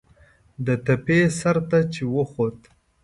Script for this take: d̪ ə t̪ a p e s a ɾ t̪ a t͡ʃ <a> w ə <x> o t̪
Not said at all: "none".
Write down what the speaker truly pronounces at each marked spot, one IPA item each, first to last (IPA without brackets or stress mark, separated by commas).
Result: e, x